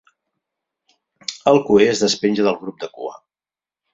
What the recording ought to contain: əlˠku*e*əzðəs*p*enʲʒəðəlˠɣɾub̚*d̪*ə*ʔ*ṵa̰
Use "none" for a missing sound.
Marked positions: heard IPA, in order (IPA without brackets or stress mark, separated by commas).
e, p, d̪, k